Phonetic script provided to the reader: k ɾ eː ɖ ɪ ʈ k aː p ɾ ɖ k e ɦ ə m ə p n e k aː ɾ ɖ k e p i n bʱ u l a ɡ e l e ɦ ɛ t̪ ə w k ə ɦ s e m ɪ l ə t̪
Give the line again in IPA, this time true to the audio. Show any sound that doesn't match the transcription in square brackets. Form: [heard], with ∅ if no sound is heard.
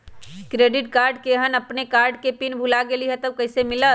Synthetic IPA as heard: k ɾ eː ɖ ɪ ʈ k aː [∅] ɾ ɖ k e ɦ ə [n] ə p n e k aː ɾ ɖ k e p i n bʱ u l a ɡ e l [i] ɦ ɛ t̪ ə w k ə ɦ s e m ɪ l ə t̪